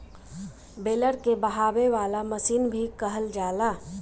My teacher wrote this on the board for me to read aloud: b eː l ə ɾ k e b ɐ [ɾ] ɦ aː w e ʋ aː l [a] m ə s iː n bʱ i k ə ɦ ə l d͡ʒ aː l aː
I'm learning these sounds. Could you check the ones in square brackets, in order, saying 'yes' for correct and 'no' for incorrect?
no, yes

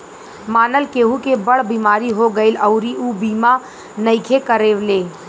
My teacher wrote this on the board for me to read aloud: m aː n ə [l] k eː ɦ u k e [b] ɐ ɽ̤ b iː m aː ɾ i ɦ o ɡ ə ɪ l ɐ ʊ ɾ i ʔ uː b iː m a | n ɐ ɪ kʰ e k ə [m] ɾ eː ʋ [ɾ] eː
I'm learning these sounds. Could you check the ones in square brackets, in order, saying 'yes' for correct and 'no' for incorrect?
yes, yes, no, no

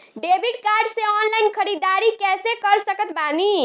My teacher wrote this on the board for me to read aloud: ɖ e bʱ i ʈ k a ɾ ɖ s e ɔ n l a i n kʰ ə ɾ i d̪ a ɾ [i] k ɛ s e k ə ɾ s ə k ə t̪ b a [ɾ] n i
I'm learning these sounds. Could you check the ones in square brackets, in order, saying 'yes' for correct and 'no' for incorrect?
yes, no

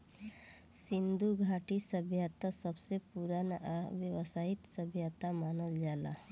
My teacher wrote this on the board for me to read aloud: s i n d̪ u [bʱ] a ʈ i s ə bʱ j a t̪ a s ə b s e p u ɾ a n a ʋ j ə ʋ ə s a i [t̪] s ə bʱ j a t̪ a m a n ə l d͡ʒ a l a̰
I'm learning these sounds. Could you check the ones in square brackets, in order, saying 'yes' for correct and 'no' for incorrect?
no, yes

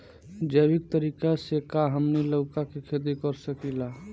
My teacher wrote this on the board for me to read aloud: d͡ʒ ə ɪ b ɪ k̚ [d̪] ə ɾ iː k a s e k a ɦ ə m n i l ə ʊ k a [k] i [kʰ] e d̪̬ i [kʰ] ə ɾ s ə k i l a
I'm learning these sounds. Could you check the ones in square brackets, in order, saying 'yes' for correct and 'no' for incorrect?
no, yes, yes, no

